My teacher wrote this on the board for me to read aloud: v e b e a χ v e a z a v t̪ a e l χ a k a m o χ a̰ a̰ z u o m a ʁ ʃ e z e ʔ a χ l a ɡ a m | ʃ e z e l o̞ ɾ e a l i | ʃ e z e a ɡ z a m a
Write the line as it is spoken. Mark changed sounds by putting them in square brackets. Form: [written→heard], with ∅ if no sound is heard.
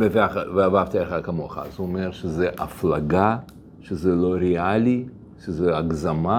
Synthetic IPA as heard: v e [b→v] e a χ v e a [z→v] a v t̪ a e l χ a k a m o χ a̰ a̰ z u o m [a→e] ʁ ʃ e z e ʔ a [χ→f] l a ɡ a [m→∅] | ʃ e z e l o̞ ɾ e a l i | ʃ e z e a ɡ z a m a